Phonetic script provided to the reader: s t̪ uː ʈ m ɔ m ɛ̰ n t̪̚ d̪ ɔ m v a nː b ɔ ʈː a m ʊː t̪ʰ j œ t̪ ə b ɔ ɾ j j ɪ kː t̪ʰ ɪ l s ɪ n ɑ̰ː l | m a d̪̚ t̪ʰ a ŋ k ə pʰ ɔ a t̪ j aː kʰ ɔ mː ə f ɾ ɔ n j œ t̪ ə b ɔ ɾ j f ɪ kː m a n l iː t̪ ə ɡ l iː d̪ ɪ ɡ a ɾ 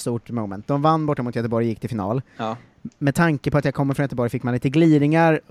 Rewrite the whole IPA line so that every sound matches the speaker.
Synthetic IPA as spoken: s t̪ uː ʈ m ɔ m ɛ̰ n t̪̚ d̪ ɔ m v a nː b ɔ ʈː a m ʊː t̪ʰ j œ t̪ ə b ɔ ɾ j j ɪ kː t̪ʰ ɪ l f ɪ n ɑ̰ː l | m ɛ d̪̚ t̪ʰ a ŋ k ə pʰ ɔ a t̪ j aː kʰ ɔ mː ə f ɾ ɔ n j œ t̪ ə b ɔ ɾ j f ɪ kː m a n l iː t̪ ə ɡ l iː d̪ ɪ ŋ a ɾ